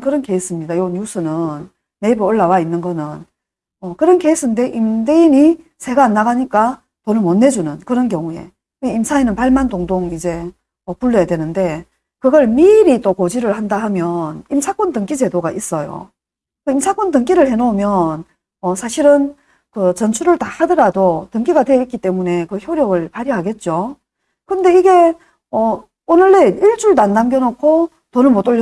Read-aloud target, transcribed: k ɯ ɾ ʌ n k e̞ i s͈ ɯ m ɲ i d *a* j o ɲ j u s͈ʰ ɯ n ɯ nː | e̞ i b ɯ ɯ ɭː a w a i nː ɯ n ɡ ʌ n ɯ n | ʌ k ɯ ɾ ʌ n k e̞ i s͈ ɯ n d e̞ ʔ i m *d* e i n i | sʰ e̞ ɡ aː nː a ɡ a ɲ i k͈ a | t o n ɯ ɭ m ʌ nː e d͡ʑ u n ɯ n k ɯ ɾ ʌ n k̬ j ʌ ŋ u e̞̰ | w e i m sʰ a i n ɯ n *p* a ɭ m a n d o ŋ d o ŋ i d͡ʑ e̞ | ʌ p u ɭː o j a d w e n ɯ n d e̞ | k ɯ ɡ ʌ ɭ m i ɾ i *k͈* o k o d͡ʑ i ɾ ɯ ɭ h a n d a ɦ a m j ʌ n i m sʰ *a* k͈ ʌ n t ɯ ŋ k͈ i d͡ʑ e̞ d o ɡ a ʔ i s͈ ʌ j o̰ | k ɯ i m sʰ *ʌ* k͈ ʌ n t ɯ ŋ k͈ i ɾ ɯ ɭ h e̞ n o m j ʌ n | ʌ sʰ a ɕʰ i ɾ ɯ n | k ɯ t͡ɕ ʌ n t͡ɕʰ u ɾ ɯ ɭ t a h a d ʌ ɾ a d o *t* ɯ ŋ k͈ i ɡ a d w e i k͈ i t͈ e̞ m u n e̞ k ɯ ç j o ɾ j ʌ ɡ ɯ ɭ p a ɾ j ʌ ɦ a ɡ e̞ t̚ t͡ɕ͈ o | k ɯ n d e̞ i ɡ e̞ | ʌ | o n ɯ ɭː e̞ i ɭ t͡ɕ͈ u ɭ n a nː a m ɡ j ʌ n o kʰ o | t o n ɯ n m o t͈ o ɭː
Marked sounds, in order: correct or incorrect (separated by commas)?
correct, correct, correct, incorrect, correct, incorrect, correct